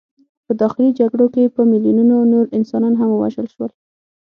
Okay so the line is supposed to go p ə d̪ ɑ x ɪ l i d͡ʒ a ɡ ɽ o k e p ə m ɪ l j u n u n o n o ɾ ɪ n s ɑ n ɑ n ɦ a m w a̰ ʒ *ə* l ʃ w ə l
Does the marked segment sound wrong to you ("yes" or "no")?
no